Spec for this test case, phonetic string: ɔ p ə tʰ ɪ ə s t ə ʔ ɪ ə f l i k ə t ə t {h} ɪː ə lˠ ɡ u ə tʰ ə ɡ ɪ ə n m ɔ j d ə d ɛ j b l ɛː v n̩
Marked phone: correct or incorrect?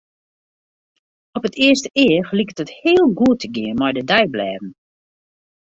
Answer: correct